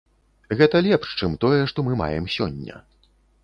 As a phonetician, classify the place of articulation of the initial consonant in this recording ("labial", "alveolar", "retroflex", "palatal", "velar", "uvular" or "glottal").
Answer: velar